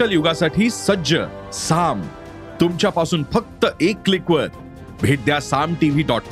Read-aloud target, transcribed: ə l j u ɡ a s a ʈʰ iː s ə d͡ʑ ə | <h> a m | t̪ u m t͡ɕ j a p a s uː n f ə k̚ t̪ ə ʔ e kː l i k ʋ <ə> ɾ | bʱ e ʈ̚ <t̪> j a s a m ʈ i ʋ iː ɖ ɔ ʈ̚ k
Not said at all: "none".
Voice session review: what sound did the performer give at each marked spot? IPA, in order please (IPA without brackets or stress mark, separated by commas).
s, ə, d̪